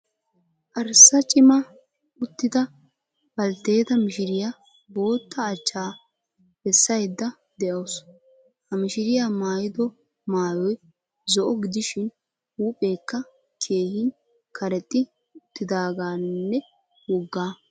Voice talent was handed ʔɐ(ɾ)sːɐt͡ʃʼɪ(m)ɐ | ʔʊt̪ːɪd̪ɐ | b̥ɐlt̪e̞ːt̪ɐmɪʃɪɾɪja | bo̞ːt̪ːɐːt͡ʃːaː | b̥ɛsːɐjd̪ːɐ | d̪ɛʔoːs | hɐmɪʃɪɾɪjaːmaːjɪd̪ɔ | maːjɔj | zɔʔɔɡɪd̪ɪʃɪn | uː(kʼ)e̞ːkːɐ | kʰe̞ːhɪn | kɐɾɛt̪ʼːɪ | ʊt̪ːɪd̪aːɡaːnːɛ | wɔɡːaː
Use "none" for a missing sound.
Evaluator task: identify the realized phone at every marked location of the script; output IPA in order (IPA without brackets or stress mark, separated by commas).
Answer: ɾ, m, pʼ